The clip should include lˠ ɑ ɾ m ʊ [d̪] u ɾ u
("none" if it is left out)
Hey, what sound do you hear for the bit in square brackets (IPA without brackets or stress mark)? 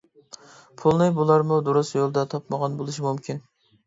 d̪